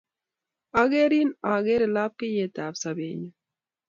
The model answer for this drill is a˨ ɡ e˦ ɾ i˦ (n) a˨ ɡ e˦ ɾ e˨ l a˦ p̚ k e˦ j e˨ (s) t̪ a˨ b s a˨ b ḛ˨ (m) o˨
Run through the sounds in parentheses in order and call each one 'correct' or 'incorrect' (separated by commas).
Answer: correct, incorrect, incorrect